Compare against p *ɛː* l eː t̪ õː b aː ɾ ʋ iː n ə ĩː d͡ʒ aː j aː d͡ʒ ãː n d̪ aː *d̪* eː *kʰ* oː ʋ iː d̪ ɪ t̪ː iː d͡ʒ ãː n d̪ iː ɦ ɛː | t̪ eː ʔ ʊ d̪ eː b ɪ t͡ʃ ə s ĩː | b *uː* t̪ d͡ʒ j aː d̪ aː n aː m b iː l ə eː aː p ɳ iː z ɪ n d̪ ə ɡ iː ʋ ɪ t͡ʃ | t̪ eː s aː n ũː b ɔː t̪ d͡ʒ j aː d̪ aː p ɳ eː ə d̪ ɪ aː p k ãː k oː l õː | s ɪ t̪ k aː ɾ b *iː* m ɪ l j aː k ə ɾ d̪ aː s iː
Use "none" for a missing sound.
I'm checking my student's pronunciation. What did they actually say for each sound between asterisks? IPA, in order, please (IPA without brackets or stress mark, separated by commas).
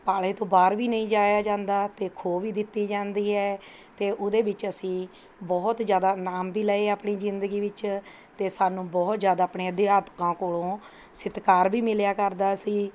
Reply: aː, t̪, kʰ, ɔː, iː